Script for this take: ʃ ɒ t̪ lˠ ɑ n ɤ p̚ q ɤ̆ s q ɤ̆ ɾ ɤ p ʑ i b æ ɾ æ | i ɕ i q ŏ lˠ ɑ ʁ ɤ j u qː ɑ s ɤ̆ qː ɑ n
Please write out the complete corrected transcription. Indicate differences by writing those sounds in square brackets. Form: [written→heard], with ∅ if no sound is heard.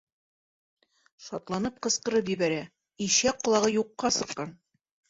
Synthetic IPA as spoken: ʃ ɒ t̪ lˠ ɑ n ɤ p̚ q ɤ̆ s q ɤ̆ ɾ ɤ p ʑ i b æ ɾ æ | i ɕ [i→æ] q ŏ lˠ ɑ ʁ ɤ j u qː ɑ s ɤ̆ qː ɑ n